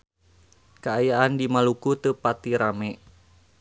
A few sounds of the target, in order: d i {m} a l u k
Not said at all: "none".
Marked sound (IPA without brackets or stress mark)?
m